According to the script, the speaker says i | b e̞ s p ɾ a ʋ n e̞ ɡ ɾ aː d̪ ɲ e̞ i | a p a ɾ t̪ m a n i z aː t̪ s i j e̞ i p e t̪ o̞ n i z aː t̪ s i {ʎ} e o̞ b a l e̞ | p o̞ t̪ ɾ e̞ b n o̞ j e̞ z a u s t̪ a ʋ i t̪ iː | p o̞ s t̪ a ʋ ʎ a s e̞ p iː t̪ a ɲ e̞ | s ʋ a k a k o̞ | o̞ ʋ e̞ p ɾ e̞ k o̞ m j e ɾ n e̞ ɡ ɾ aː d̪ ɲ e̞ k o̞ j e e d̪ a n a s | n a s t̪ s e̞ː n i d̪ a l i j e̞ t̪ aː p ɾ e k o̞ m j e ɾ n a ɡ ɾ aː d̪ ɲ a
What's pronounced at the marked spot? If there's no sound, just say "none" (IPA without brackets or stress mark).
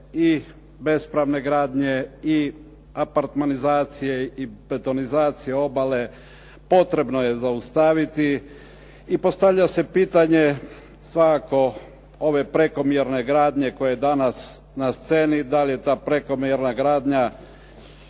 j